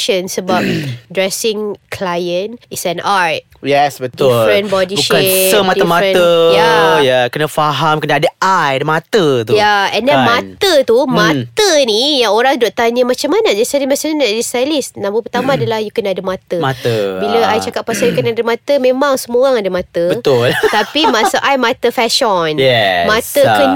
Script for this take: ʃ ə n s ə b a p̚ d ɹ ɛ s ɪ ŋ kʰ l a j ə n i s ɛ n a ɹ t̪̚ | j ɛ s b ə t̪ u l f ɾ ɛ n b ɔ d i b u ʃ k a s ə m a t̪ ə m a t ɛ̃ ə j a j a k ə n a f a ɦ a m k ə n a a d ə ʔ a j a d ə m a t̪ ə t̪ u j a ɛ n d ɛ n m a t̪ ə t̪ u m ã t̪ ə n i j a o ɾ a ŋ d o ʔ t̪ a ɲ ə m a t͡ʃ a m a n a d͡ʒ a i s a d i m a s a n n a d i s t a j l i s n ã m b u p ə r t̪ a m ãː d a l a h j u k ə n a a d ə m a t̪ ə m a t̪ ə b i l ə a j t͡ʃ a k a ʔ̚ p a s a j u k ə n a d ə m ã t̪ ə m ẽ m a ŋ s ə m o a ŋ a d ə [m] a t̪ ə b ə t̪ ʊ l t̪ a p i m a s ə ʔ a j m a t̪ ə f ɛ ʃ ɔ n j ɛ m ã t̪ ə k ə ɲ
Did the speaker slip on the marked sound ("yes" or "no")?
no